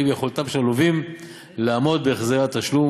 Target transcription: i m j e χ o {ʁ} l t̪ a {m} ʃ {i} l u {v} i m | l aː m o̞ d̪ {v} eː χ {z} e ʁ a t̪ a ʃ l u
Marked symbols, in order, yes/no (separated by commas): no, yes, no, yes, no, yes